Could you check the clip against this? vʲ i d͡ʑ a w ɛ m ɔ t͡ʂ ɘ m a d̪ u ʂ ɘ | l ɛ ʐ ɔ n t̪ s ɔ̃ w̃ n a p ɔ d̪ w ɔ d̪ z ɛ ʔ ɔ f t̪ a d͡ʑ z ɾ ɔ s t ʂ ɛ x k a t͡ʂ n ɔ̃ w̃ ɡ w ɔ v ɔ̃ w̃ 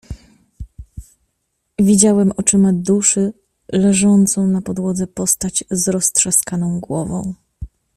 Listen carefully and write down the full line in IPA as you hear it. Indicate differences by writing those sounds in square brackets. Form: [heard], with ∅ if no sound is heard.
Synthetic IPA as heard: vʲ i d͡ʑ a w ɛ m ɔ t͡ʂ ɘ m a d̪ u ʂ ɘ | l ɛ ʐ ɔ n t̪ s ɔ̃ w̃ n a p ɔ d̪ w ɔ d̪ z ɛ [p] ɔ [s] t̪ a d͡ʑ z ɾ ɔ s t ʂ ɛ [s] k a [∅] n ɔ̃ w̃ ɡ w ɔ v ɔ̃ w̃